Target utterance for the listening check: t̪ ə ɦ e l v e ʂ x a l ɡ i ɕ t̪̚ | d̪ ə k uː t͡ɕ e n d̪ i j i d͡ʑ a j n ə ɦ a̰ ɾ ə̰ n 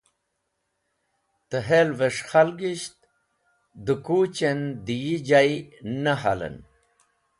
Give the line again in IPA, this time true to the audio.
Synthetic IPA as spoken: t̪ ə ɦ e l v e ʂ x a l ɡ i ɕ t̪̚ | d̪ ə k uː t͡ɕ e n d̪ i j i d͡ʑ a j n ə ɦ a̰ l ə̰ n

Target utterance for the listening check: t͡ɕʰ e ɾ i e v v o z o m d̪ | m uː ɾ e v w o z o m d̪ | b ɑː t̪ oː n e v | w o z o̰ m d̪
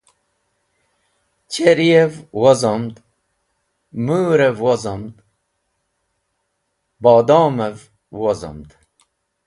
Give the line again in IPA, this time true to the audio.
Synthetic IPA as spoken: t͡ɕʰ e ɾ i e v w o z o m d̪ | m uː ɾ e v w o z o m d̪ | b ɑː d̪ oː m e v | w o z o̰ m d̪

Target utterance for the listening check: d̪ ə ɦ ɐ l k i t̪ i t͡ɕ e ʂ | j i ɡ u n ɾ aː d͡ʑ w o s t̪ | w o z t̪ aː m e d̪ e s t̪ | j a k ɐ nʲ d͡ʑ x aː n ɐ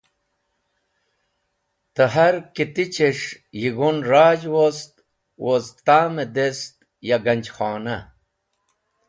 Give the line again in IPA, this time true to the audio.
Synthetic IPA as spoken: t̪ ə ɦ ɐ ɾ k i t̪ i t͡ɕ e ʂ | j i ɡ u n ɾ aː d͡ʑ w o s t̪ | w o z t̪ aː m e d̪ e s t̪ | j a ɡ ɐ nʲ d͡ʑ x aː n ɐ

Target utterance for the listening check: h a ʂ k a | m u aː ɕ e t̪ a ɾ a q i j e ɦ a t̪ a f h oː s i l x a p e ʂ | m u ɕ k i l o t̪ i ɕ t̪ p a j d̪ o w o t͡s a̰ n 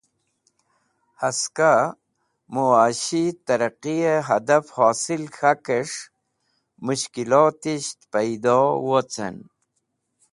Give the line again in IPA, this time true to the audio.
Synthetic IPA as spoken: h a s k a | m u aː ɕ i t̪ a ɾ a q i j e ɦ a d̪ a f h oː s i l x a k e ʂ | m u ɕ k i l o t̪ i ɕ t̪ p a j d̪ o w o t͡s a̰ n

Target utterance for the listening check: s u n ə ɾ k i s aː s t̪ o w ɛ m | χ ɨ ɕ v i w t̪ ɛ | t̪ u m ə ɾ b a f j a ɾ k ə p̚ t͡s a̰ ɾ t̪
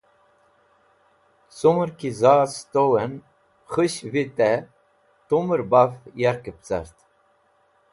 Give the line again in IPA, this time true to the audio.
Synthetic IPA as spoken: s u m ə ɾ k i z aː s t̪ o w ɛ n | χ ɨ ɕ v i t̪ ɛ | t̪ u m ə ɾ b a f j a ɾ k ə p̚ t͡s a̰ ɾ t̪

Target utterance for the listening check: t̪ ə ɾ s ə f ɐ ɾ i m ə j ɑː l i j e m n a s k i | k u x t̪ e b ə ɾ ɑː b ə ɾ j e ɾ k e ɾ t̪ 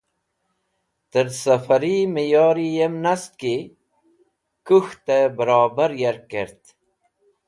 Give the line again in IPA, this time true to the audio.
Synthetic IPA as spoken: t̪ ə ɾ s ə f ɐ ɾ i m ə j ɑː ɾ i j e m n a s k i | k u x t̪ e b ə ɾ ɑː b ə ɾ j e ɾ k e ɾ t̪

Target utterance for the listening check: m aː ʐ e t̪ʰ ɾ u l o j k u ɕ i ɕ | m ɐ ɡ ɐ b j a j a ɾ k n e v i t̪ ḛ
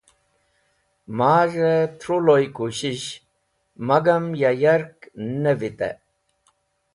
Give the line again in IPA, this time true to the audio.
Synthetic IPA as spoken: m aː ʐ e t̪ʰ ɾ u l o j k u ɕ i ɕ | m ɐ ɡ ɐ m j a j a ɾ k n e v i t̪ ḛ

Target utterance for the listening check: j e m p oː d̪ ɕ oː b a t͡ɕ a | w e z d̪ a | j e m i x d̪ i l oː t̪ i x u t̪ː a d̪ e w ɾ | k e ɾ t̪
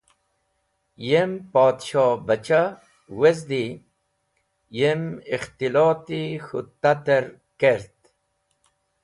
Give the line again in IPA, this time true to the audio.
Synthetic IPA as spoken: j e m p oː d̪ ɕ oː b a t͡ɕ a | w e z d̪ i | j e m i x t̪ i l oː t̪ i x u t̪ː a t̪ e ɾ | k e ɾ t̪

